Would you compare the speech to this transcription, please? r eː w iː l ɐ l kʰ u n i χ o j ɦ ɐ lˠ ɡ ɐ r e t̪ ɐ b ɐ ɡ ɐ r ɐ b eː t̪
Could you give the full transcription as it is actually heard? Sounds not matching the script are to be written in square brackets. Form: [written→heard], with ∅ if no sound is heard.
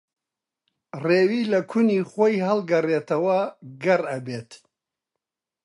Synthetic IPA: r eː w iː l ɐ [l→∅] kʰ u n i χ o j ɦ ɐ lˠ ɡ ɐ r e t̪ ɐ [b→w] ɐ ɡ ɐ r ɐ b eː t̪